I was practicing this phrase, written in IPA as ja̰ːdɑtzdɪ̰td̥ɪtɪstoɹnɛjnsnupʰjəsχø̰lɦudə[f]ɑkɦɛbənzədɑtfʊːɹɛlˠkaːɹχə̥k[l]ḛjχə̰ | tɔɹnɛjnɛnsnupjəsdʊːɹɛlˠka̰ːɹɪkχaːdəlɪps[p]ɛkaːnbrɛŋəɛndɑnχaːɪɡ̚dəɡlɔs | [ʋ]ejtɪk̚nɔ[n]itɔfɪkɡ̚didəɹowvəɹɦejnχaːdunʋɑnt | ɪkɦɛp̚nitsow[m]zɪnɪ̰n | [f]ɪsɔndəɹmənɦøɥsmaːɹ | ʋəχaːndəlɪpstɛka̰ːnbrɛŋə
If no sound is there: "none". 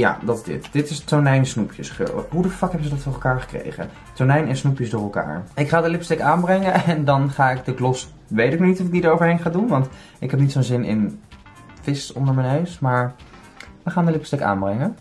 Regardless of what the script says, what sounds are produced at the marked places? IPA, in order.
f, r, t, ʋ, n, n, f

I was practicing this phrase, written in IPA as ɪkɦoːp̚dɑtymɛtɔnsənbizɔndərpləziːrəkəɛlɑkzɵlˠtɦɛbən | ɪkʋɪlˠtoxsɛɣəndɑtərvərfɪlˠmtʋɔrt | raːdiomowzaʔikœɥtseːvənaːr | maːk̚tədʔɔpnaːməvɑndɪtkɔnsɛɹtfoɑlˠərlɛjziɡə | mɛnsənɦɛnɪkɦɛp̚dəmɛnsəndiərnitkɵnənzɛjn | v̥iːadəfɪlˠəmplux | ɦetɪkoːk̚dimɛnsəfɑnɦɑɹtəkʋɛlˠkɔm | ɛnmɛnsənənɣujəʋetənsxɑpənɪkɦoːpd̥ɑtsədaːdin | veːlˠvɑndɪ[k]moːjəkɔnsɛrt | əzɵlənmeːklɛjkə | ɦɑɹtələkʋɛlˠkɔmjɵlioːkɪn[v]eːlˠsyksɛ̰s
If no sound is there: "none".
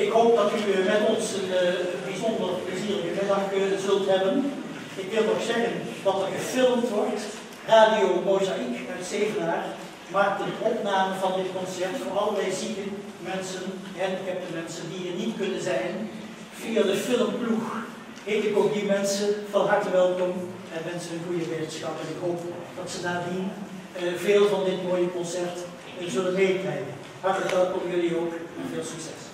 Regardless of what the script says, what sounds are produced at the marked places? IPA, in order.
t, v

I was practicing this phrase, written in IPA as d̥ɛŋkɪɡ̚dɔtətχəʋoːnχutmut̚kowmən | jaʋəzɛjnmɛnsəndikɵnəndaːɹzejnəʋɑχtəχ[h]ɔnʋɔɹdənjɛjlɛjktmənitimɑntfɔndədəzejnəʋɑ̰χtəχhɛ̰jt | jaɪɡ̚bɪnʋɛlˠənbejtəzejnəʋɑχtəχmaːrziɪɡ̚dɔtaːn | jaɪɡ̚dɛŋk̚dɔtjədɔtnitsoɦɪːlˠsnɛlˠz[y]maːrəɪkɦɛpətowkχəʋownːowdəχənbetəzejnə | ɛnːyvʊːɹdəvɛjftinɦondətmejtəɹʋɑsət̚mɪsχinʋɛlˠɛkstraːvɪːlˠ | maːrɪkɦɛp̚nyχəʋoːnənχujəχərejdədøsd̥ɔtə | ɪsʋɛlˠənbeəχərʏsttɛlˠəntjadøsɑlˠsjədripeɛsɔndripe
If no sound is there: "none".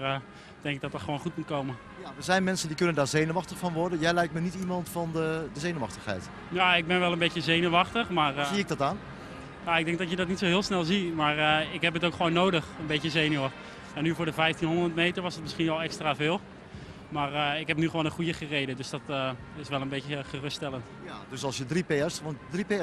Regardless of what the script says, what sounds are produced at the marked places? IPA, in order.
f, i

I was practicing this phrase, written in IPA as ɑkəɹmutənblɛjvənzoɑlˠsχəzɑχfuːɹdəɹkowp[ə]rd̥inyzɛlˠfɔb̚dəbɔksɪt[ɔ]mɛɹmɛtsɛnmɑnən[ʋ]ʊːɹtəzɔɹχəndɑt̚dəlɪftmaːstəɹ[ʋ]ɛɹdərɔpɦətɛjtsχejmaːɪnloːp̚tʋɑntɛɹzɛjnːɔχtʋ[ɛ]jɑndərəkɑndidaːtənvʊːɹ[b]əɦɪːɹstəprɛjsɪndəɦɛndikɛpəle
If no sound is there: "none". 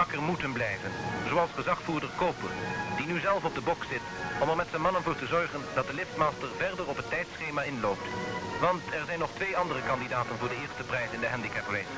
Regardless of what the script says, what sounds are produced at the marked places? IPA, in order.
ə, ɔ, v, v, e, d

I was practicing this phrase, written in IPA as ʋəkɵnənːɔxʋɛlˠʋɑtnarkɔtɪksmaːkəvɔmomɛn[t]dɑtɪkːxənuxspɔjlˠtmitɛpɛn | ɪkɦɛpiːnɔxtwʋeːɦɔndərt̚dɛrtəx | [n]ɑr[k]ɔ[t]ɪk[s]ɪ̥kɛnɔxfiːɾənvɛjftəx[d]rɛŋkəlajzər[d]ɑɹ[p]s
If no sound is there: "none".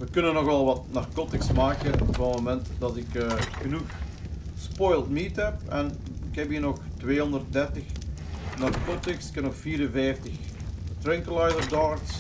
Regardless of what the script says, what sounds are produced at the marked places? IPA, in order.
t, n, k, t, s, t, d, k

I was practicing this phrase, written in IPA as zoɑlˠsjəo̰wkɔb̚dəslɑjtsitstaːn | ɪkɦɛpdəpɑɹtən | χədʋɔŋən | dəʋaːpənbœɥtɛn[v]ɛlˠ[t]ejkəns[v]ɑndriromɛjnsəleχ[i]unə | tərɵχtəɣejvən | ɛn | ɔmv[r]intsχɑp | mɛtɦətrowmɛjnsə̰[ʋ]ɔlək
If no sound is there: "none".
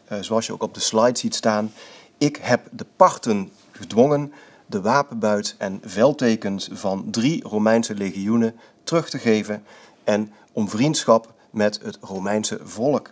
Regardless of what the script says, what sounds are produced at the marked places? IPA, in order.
v, t, v, i, r, v

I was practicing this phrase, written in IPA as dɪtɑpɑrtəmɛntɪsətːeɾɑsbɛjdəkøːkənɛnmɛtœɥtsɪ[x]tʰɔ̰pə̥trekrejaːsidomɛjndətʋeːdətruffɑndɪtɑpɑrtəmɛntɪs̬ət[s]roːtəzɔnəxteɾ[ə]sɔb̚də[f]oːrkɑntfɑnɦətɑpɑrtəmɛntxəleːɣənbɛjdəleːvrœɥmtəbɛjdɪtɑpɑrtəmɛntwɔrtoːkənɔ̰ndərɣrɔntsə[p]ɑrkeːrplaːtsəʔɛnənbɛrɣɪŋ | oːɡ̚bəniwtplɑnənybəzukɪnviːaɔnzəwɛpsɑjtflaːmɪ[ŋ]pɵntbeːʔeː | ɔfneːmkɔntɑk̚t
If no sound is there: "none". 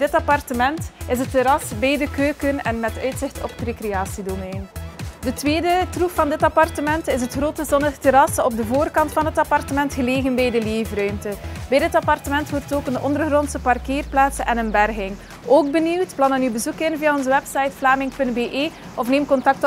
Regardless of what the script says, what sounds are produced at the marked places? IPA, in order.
x, x, ɑ, v, p, ŋ

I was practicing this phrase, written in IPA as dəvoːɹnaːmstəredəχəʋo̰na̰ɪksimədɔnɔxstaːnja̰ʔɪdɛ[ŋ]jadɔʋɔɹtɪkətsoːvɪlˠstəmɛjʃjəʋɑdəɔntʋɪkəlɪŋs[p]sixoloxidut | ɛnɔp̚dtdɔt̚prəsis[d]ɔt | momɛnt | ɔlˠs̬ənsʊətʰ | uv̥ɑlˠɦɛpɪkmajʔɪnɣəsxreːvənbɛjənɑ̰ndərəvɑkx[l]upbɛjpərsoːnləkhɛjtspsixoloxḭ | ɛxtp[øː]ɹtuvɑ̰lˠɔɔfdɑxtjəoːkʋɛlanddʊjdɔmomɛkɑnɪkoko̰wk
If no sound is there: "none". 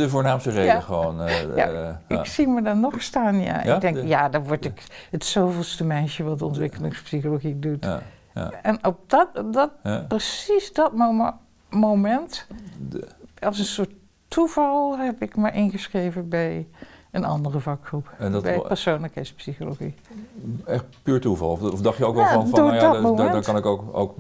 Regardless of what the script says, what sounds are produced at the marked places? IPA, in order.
ŋ, p, d, r, yː

